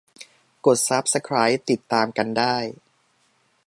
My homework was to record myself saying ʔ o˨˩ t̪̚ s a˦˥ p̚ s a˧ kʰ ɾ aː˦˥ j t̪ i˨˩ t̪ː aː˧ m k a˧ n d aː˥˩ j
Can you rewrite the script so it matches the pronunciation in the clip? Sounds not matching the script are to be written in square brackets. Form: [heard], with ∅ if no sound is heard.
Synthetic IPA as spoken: [k] o˨˩ t̪̚ s a˦˥ p̚ s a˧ kʰ ɾ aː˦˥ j t̪ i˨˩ t̪ː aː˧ m k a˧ n d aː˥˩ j